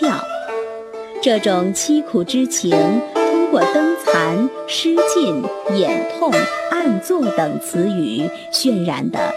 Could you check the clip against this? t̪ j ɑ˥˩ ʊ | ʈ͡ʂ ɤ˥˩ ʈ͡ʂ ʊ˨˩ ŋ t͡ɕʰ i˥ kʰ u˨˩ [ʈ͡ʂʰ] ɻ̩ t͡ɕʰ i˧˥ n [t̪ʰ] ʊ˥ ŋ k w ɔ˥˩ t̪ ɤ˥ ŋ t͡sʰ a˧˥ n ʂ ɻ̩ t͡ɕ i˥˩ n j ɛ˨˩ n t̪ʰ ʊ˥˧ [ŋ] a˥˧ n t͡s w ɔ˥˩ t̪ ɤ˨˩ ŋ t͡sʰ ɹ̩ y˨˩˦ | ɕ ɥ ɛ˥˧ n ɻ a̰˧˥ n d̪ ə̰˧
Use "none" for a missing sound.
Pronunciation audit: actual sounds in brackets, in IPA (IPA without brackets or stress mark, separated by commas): ʈ͡ʂ, t̪ʰ, ŋ